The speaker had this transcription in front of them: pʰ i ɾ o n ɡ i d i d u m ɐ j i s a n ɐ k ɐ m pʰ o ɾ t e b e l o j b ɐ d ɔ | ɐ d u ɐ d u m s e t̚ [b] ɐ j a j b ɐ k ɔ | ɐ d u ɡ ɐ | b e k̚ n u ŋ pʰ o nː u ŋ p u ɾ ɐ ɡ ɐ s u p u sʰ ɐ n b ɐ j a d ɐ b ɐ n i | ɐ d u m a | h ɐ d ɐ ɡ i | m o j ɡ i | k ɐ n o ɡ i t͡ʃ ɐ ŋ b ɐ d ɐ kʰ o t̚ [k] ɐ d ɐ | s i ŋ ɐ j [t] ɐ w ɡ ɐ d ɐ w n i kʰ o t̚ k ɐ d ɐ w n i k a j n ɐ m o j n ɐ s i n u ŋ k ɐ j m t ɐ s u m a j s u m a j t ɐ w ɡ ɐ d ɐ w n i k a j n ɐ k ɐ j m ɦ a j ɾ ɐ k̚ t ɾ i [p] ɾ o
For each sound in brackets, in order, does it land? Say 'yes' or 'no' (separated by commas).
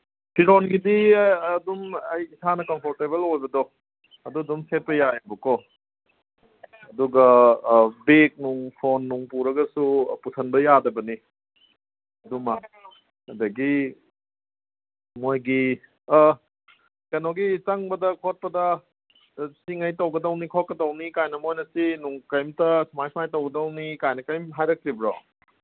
no, no, yes, no